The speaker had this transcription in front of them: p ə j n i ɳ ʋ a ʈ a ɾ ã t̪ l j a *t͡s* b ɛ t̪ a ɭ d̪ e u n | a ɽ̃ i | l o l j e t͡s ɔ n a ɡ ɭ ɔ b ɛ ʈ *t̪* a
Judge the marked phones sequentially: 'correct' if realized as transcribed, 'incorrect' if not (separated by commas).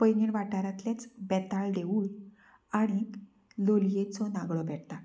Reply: correct, correct